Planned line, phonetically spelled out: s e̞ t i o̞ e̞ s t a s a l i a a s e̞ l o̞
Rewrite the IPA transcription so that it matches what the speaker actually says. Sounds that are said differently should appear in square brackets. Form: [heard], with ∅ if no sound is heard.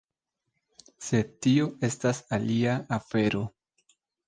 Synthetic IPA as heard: s e̞ t i o̞ e̞ s t a s a l i a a [f] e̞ [ɾ] o̞